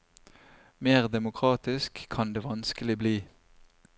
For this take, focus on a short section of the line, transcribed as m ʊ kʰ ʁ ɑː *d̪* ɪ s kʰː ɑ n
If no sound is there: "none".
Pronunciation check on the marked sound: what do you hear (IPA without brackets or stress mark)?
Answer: t̪